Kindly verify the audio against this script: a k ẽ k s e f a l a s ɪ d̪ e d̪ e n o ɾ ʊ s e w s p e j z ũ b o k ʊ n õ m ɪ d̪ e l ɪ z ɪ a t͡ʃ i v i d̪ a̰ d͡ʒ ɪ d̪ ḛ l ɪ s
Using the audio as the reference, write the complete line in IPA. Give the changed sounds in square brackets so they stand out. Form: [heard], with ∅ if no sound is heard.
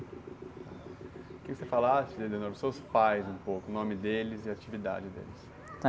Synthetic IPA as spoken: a k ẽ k s e f a l a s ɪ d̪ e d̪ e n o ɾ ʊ s e w s p [a] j z ũ [p] o k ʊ n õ m ɪ d̪ e l ɪ z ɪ a t͡ʃ i v i d̪ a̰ d͡ʒ ɪ d̪ ḛ l ɪ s